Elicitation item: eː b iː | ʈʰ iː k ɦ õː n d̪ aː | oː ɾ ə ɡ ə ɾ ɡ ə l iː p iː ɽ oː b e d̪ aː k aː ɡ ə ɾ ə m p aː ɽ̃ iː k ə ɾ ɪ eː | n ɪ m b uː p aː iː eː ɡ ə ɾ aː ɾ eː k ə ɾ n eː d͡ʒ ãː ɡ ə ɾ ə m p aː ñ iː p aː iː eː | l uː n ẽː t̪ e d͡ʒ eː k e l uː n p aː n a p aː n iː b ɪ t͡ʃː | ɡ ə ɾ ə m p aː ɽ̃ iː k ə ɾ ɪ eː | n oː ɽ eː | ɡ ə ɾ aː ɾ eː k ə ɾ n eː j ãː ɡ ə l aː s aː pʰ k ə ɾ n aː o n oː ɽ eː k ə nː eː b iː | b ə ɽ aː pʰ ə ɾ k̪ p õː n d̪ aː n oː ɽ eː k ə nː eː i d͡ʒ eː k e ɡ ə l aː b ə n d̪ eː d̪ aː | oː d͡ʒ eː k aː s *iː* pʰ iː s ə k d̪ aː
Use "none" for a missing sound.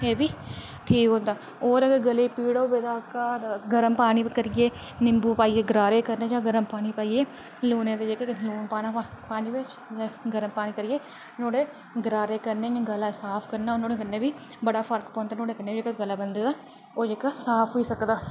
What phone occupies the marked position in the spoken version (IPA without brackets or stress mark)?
aː